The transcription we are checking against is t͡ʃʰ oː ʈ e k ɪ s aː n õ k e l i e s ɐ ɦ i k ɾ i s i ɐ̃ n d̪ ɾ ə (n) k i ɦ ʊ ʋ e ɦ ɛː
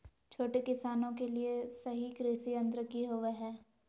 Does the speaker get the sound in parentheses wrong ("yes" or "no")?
yes